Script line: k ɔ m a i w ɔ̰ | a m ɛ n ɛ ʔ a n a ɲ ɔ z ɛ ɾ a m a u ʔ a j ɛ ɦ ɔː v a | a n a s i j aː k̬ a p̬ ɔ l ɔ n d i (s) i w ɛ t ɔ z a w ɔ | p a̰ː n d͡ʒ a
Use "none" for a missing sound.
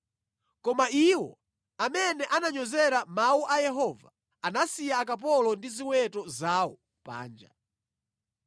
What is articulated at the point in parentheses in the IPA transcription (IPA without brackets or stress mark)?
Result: z